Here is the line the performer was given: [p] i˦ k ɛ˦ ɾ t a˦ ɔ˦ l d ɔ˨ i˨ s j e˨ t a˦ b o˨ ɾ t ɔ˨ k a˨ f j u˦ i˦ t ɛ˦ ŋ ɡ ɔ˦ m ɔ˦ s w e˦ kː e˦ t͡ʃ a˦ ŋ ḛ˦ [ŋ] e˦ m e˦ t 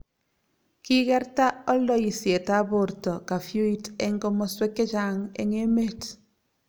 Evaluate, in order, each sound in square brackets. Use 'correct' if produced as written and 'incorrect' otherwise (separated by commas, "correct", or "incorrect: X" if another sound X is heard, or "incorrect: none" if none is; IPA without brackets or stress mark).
incorrect: k, correct